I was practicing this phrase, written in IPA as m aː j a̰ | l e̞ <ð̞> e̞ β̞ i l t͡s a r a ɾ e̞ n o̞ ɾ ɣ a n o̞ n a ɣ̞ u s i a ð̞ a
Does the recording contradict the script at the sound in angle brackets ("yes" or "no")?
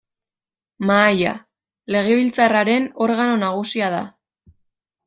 yes